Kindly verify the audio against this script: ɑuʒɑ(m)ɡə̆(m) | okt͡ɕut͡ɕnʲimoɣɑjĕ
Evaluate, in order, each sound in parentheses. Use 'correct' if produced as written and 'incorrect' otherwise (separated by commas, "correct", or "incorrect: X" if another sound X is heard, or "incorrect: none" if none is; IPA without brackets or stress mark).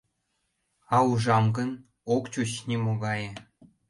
correct, incorrect: n